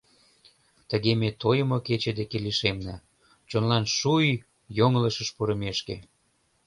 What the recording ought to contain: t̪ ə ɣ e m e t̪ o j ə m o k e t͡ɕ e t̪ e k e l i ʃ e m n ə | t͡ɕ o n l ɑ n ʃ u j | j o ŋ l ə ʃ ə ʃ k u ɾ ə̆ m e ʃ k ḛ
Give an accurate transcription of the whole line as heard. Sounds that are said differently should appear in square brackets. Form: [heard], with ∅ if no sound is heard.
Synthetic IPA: t̪ ə ɣ e m e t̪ o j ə m o k e t͡ɕ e [d̪] e k e l i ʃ e m n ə | t͡ɕ o n l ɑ n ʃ u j | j o ŋ l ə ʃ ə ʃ [p] u ɾ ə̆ m e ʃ k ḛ